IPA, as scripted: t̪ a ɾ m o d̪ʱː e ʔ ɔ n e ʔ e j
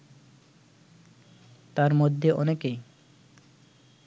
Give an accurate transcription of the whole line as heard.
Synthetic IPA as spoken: t̪ a ɾ m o d̪ʱː e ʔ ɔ n e k e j

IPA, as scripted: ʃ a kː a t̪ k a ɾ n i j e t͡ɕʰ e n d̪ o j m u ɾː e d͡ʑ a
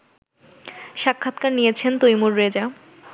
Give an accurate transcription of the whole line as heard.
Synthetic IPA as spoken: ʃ a kʰː a t̪ k a ɾ n i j e t͡ɕʰ e n t̪ o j m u ɾː e d͡ʑ a

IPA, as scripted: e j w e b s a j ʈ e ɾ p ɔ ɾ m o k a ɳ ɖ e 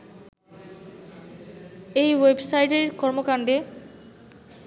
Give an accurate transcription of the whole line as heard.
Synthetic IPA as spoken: e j w e b s a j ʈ e ɾ k ɔ ɾ m o k a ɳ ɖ e

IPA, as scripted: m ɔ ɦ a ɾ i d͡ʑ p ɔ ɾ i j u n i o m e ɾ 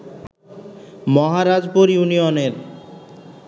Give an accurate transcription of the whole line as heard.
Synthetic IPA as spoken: m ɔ ɦ a ɾ a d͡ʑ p o ɾ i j u n i o n e ɾ

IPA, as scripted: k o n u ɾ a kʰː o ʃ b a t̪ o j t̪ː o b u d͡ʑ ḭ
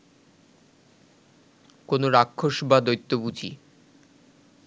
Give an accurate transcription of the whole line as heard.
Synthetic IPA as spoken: k o n o ɾ a kʰː o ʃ b a d̪ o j t̪ː o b u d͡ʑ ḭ

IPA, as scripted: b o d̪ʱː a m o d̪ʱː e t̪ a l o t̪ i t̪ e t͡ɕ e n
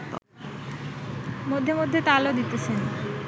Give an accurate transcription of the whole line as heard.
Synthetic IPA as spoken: m o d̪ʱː e m o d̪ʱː e t̪ a l o d̪ i t̪ e t͡ɕʰ e n

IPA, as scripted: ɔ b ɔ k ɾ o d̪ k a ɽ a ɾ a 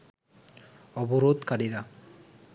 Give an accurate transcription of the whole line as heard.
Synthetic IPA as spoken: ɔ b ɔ ɾ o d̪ k a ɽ i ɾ a

